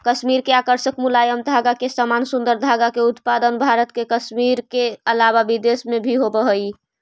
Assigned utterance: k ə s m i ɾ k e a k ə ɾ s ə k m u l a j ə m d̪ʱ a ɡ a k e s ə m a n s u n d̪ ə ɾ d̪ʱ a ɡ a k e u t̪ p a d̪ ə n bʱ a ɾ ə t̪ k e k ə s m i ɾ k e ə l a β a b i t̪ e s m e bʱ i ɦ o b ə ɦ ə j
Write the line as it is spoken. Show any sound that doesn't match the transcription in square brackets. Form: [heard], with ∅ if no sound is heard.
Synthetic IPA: k ə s m i ɾ k e a k ə ɾ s ə k m u l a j ə m d̪ʱ a ɡ a k e s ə m a n s u n d̪ ə ɾ d̪ʱ a ɡ a k e u t̪ p a d̪ ə n bʱ a ɾ ə t̪ k e k ə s m i ɾ k e ə l a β a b i [d̪] e s m e bʱ i ɦ o b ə ɦ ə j